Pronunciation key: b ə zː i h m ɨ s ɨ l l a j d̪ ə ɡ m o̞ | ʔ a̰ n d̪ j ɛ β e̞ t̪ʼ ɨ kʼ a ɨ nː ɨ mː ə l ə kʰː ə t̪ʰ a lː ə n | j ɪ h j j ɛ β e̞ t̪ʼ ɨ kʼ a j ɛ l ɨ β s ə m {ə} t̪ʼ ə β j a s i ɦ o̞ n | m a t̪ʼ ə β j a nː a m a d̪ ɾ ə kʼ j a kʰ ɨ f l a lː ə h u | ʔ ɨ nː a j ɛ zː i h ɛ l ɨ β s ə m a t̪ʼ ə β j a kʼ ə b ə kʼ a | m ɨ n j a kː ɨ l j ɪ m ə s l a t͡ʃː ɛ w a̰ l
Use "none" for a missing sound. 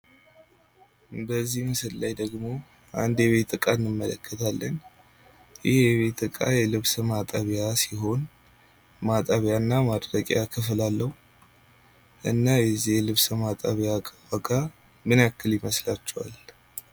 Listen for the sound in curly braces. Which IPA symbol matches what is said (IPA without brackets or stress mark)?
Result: a